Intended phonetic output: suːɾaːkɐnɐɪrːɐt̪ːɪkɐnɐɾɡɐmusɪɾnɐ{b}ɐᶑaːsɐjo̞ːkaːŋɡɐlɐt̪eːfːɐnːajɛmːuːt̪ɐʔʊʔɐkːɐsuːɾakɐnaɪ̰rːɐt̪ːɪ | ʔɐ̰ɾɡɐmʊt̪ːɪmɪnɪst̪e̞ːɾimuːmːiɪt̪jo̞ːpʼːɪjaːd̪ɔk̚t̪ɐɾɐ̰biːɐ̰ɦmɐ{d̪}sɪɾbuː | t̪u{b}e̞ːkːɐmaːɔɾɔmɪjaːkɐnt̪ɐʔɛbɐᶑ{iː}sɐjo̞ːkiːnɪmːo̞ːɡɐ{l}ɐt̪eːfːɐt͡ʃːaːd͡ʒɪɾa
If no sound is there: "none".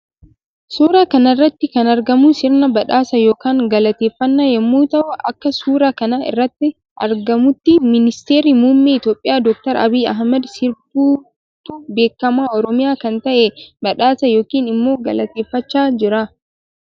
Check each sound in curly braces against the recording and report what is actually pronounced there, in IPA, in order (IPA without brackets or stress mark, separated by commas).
b, d̪, b, aː, l